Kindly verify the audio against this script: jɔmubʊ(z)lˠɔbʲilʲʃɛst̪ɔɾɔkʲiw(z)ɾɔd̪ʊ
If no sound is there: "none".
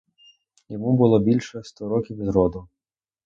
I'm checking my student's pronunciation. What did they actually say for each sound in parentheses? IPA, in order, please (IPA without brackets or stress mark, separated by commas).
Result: none, z